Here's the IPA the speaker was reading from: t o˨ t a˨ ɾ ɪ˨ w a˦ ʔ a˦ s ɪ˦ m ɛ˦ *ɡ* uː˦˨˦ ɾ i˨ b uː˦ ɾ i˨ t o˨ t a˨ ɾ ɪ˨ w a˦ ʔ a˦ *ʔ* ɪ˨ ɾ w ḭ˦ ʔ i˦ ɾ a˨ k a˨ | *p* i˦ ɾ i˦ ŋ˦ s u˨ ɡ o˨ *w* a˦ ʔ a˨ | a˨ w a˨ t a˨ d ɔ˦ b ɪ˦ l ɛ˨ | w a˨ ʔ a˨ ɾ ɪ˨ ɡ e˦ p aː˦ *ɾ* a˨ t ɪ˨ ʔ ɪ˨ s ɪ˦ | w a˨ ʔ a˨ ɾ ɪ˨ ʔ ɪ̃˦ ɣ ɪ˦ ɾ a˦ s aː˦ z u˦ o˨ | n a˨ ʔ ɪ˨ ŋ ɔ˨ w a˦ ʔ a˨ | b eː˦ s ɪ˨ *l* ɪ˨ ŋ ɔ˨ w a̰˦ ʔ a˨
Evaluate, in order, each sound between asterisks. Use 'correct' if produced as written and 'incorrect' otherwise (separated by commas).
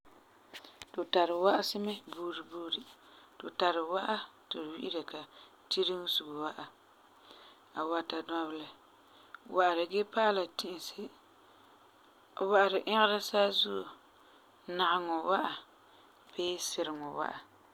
incorrect, incorrect, incorrect, correct, incorrect, incorrect